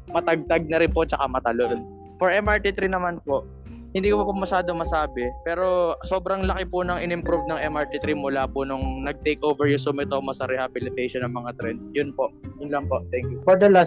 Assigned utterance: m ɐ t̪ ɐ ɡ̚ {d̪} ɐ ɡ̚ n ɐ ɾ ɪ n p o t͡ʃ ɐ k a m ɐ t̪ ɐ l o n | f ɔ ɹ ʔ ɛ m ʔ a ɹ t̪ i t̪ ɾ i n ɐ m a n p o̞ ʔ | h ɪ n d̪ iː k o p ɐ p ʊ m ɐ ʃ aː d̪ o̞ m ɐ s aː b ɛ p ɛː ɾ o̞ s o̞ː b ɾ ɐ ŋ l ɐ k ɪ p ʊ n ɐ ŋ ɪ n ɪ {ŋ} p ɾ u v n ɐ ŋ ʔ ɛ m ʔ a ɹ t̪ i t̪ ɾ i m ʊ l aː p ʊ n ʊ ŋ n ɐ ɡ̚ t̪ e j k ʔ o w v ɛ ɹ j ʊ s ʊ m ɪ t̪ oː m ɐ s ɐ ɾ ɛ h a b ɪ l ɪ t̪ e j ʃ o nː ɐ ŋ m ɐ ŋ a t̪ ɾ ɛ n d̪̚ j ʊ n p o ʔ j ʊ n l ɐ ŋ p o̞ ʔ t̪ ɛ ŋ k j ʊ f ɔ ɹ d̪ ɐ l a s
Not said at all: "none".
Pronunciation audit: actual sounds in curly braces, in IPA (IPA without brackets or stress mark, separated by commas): t̪, m